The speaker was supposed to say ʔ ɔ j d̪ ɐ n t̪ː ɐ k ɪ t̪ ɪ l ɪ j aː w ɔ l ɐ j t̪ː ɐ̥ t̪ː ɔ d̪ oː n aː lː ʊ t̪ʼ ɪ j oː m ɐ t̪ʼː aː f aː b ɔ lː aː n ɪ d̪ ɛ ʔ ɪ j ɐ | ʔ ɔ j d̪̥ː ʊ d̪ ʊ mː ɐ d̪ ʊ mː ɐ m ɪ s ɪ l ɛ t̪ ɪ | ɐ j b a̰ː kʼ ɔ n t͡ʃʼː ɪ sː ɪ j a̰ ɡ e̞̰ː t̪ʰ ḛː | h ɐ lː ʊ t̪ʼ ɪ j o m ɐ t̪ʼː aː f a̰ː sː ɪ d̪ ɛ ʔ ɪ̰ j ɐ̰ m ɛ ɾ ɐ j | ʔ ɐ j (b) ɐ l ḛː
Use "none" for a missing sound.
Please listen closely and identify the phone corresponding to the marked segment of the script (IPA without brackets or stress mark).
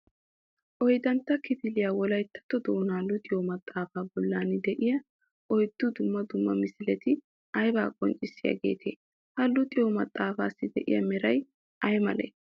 m